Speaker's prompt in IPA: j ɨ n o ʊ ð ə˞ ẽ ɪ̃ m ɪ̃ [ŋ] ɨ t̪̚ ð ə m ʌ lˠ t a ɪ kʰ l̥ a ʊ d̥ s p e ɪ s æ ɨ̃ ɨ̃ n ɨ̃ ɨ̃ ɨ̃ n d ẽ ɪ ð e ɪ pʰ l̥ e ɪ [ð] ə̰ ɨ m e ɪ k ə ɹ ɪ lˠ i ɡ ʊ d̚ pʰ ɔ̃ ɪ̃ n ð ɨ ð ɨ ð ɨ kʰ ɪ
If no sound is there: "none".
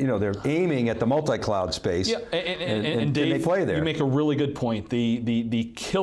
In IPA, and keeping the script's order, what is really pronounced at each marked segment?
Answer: ŋ, ð

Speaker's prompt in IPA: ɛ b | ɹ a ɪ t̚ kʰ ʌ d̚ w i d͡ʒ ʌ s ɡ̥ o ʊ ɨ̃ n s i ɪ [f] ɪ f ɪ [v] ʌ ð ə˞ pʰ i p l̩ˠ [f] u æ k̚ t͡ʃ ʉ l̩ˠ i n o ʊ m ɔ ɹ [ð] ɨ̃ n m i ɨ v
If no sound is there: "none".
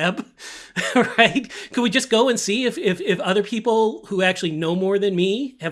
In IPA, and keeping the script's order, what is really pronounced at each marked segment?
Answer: f, f, h, ð

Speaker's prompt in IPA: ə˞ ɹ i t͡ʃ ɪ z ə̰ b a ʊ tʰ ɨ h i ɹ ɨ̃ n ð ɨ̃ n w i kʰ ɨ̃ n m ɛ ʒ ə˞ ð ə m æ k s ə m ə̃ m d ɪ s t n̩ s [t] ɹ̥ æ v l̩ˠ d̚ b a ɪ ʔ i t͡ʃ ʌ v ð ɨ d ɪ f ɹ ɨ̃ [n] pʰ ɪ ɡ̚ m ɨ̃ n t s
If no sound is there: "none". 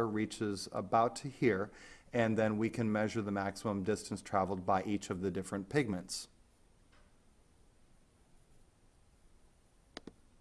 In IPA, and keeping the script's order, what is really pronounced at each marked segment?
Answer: tʰ, n

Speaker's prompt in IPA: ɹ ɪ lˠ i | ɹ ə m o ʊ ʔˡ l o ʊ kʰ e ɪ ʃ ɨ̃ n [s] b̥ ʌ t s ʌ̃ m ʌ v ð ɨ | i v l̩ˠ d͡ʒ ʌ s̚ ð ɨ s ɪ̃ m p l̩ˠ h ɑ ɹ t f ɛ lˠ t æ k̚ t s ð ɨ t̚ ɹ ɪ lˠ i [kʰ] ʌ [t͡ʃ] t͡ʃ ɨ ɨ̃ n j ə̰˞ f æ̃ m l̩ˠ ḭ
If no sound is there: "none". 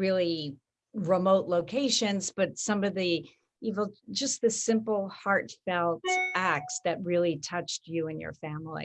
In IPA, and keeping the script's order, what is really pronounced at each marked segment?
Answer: z, tʰ, t͡ʃ

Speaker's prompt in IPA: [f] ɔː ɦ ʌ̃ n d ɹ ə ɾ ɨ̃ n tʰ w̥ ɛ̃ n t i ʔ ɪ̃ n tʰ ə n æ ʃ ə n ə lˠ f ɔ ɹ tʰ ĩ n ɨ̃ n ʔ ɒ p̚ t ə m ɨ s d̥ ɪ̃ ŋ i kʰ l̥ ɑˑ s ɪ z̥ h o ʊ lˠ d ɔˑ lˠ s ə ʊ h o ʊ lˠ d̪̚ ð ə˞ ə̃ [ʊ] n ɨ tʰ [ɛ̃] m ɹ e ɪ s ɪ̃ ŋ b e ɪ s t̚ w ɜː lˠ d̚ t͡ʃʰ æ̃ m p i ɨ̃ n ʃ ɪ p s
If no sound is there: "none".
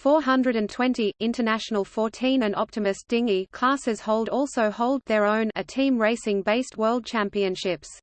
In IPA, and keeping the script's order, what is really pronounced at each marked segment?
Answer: f, ʊ̃, ĩ

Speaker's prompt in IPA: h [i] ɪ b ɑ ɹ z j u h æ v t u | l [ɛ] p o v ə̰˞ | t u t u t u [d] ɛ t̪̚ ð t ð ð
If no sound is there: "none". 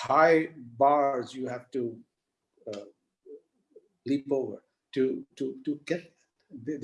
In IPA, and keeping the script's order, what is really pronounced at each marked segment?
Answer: a, i, ɡ

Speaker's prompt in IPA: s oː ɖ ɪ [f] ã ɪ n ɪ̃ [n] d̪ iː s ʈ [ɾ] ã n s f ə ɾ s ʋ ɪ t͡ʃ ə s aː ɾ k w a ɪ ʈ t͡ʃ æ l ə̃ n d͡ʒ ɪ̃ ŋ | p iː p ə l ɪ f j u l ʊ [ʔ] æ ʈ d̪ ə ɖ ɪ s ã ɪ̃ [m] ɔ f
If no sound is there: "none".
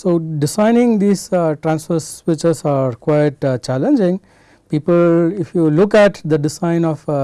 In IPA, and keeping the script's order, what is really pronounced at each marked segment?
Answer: s, ŋ, ɾ, k, n

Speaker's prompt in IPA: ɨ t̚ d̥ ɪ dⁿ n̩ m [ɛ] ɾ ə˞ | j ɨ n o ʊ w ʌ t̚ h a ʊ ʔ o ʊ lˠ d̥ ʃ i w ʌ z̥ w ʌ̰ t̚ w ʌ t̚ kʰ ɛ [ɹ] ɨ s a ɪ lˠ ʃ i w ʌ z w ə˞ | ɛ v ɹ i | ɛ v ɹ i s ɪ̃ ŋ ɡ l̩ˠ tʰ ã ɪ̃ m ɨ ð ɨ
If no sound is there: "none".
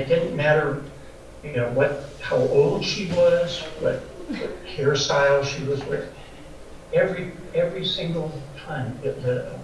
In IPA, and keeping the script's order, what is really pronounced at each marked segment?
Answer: æ, ɹ

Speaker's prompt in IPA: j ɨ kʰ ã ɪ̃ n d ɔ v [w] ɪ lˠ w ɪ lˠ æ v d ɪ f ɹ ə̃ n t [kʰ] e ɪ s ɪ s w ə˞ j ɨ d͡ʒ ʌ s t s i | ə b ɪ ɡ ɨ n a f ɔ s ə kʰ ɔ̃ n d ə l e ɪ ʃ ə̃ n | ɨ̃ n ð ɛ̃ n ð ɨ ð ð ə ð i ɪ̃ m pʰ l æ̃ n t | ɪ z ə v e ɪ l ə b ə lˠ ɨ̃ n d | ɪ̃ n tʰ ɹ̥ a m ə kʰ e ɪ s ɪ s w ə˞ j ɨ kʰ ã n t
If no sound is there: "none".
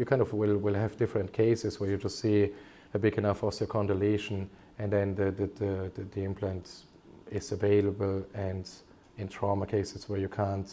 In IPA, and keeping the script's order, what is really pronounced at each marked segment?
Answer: w, kʰ

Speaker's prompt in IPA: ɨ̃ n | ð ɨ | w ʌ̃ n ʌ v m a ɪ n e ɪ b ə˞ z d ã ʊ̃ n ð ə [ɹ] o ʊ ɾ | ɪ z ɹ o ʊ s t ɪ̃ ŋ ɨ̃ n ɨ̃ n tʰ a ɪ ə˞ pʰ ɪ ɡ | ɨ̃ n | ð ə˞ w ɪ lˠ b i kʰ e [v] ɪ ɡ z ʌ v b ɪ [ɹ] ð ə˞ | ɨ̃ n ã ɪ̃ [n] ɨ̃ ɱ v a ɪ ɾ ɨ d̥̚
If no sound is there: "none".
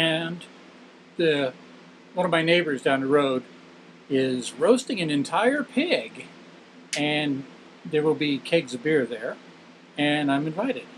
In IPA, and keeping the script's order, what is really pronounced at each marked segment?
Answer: ɹ, none, ɹ, m

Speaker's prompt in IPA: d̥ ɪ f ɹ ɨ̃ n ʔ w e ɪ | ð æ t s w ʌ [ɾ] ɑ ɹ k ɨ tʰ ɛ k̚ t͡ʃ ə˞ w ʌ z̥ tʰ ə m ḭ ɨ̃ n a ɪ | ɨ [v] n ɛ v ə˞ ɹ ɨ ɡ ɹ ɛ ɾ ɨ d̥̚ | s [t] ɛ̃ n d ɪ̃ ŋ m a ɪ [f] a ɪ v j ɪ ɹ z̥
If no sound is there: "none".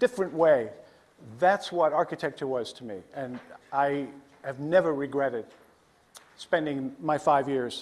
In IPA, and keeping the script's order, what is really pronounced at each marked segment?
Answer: ɾ, v, p, f

